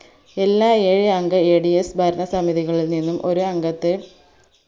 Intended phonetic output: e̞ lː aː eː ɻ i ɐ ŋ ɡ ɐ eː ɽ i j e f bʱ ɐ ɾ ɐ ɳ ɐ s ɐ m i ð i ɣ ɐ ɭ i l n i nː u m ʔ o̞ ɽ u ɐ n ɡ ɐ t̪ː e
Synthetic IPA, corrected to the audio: e̞ lː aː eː ɻ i ɐ ŋ ɡ ɐ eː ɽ i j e s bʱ ɐ ɾ ɐ ɳ ɐ s ɐ m i ð i ɣ ɐ ɭ i l n i nː u m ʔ o̞ ɾ u ɐ ŋ ɡ ɐ t̪ː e